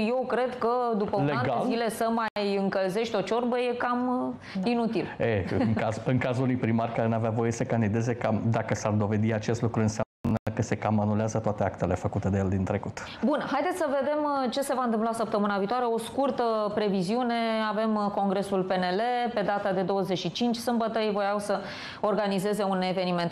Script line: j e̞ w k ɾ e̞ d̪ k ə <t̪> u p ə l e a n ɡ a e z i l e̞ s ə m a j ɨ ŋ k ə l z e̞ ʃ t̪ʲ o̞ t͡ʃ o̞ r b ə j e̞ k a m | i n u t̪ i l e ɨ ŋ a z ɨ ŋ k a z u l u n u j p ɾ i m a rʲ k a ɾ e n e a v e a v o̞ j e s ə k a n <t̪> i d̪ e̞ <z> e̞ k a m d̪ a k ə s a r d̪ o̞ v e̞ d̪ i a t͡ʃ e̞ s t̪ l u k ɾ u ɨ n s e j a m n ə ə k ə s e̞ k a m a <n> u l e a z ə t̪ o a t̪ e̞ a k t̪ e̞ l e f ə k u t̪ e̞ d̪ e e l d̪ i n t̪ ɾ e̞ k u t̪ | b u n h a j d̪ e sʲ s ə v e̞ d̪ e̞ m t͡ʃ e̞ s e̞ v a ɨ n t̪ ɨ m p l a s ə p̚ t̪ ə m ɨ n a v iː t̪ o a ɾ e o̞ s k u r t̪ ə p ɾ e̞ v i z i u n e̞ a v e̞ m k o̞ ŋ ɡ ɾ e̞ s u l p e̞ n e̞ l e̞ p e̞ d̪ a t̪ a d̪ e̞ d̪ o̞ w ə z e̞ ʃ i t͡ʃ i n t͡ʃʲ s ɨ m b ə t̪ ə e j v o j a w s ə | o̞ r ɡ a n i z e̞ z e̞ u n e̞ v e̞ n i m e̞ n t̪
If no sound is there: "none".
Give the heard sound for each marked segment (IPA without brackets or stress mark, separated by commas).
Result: d̪, d̪, z, n